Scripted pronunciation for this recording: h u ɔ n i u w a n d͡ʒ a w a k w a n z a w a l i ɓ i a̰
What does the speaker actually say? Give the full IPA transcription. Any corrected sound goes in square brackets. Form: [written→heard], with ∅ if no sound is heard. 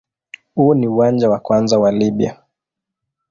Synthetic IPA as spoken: h u ɔ n i u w a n d͡ʒ a w a k w a n z a w a l i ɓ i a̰